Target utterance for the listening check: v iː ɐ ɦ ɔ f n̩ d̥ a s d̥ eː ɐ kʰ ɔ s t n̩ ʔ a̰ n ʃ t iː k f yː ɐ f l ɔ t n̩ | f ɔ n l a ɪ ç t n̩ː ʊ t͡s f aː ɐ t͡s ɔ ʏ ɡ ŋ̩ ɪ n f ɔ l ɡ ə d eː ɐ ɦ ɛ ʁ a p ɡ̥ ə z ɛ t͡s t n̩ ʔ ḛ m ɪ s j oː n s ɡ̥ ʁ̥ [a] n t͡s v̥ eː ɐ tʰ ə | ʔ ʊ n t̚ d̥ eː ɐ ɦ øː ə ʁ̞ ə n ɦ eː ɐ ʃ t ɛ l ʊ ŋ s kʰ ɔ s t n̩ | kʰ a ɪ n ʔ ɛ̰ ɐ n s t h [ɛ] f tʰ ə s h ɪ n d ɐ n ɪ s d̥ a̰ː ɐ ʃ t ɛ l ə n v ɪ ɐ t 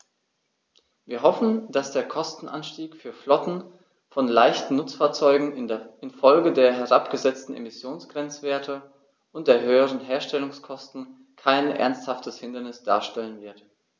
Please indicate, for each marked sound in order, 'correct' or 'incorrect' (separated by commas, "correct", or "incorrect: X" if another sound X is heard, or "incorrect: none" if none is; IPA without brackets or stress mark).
incorrect: ɛ, incorrect: a